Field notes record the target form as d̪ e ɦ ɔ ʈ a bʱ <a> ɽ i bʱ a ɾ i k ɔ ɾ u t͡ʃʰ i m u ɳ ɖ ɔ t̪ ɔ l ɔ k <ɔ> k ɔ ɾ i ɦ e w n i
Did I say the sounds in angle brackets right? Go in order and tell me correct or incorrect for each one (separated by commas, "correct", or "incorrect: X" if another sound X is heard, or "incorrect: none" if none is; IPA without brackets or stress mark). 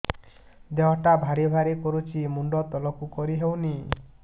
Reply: correct, incorrect: u